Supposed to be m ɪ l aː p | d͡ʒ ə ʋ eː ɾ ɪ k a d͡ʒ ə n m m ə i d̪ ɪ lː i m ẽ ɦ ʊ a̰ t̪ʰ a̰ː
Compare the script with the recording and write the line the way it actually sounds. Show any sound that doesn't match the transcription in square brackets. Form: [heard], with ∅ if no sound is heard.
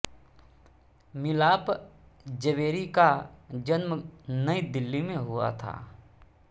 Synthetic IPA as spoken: m ɪ l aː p | d͡ʒ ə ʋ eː ɾ [i] k a d͡ʒ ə n m [n] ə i d̪ ɪ lː i m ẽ ɦ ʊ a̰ t̪ʰ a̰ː